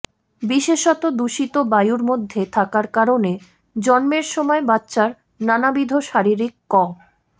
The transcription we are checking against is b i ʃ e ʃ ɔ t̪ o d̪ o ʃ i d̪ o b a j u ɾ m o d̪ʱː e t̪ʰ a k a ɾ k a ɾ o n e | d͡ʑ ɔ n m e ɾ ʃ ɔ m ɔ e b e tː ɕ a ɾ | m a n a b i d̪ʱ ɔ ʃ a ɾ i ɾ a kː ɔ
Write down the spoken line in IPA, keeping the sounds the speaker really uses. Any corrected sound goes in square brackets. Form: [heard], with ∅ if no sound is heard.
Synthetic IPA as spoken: b i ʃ e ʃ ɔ t̪ o d̪ [u] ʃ i [t̪] o b a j u ɾ m o d̪ʱː e t̪ʰ a k a ɾ k a ɾ o n e | d͡ʑ ɔ n m e ɾ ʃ ɔ m ɔ e b [a] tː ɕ a ɾ | [n] a n a b i d̪ʱ [o] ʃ a ɾ i ɾ [i] kː ɔ